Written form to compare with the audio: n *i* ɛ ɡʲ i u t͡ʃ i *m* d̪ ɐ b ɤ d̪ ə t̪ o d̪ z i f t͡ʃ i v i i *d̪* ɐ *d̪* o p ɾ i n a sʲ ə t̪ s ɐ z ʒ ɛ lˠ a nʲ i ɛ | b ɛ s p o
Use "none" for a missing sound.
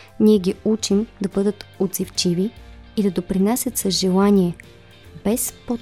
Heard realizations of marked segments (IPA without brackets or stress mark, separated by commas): i, m, d̪, d̪